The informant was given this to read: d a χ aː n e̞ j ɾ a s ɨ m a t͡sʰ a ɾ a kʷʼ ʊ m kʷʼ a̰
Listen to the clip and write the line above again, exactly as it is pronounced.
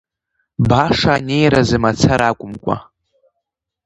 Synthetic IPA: b a ʂ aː n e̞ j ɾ a z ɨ m a t͡sʰ a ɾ a kʷʼ ʊ m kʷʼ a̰